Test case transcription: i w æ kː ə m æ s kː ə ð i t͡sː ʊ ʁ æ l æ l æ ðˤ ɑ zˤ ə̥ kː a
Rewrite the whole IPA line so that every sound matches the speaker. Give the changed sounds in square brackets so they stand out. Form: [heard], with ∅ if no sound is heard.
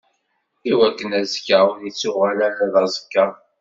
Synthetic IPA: i w æ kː ə [n] æ [z] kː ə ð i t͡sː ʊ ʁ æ l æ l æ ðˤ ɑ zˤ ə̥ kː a